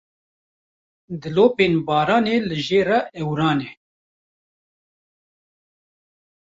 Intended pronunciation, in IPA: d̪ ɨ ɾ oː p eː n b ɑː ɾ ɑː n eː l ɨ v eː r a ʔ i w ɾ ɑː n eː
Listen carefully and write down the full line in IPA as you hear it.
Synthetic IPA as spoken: d̪ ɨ l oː p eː n b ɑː ɾ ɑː n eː l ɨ ʒ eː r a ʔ ɛ w ɾ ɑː n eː